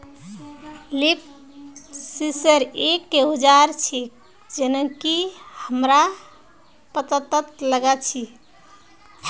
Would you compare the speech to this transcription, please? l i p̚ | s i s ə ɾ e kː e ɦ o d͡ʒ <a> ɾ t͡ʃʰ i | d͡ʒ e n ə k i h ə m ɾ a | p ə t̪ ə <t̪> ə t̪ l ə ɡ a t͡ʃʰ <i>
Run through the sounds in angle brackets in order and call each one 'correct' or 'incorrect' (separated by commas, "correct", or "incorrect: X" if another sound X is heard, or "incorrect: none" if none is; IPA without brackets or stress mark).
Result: correct, correct, correct